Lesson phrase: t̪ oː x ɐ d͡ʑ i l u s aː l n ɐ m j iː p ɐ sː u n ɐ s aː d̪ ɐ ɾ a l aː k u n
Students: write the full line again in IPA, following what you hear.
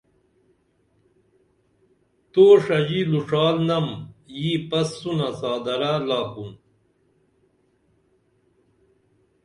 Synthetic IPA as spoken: t̪ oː ʂ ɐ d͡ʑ i l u ʂ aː l n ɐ m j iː p ɐ sː u n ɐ s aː d̪ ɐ ɾ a l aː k u n